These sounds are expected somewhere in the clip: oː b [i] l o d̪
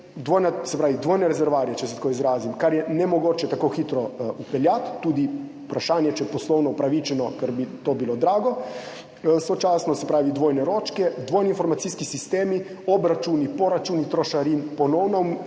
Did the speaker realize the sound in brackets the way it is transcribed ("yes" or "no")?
yes